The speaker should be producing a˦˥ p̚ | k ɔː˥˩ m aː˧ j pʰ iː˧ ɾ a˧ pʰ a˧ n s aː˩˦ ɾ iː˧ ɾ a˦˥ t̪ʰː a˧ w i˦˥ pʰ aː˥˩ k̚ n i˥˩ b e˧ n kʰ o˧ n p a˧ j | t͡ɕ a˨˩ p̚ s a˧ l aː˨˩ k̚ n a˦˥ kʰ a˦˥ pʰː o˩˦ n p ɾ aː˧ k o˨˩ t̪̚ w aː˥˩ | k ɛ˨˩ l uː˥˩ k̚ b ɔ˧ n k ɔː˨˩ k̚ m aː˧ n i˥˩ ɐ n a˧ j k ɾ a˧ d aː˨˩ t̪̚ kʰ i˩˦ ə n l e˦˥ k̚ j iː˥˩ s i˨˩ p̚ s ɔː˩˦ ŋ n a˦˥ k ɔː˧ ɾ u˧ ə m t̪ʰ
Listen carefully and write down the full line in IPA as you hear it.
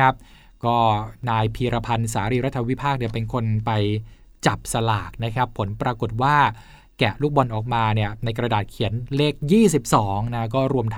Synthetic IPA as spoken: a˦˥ p̚ | k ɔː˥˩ n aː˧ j pʰ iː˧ ɾ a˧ pʰ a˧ n s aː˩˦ ɾ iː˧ ɾ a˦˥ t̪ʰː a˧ w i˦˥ pʰ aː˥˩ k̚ n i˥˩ p e˧ n kʰ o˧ n p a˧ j | t͡ɕ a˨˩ p̚ s a˧ l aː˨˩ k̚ n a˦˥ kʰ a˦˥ pʰː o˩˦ n p ɾ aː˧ k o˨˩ t̪̚ w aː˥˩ | k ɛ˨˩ l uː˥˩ k̚ b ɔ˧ n ʔ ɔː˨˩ k̚ m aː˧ n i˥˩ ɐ n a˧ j k ɾ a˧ d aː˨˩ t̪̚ kʰ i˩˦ ə n l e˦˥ k̚ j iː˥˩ s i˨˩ p̚ s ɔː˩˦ ŋ n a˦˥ k ɔː˥˩ ɾ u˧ ə m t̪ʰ